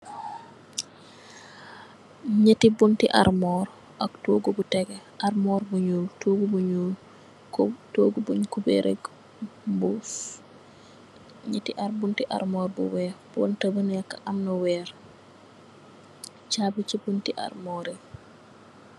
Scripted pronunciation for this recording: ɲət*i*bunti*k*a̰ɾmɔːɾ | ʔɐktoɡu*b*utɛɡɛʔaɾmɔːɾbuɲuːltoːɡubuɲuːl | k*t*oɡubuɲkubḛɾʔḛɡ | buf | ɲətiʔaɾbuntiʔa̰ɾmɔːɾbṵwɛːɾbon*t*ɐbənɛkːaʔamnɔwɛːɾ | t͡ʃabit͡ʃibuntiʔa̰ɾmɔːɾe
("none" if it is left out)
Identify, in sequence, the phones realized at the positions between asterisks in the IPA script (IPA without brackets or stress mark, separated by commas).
i, ʔ, b, t, t